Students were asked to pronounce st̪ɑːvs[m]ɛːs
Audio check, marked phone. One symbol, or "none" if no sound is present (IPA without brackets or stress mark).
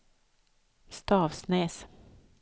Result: n